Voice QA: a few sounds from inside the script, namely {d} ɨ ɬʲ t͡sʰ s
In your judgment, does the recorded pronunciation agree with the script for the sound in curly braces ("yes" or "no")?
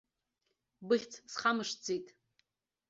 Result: no